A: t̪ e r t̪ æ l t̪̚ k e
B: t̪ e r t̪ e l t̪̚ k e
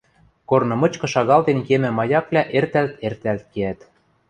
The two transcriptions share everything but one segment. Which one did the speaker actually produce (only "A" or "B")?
A